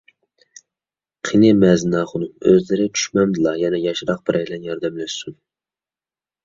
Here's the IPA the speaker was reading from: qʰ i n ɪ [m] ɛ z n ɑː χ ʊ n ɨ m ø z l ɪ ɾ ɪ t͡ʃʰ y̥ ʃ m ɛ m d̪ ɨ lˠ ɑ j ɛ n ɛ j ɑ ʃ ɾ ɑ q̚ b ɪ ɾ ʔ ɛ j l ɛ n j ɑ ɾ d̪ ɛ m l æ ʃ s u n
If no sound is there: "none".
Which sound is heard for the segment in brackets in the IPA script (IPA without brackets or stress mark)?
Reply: m